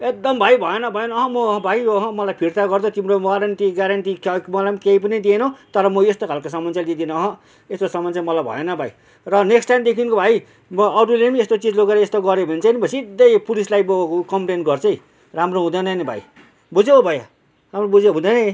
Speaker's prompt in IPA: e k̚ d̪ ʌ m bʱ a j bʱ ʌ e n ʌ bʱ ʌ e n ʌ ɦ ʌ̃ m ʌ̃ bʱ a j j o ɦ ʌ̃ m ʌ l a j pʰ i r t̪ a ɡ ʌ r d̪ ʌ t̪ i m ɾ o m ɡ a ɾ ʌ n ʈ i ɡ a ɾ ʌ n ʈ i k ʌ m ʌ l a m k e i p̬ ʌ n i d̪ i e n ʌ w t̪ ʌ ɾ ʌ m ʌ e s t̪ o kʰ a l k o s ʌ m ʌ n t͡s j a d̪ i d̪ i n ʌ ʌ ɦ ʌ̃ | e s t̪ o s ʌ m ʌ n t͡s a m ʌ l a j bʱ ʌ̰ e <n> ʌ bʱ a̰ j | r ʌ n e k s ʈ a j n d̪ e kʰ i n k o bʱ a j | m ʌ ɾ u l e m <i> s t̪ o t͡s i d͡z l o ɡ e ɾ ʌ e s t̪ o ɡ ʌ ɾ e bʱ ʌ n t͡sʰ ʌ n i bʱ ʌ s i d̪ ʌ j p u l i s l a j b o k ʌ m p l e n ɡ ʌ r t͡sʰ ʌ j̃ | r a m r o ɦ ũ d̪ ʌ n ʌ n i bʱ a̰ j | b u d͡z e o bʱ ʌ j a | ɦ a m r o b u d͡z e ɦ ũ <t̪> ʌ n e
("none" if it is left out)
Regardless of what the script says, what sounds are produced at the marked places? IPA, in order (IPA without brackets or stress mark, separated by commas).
n, e, d̪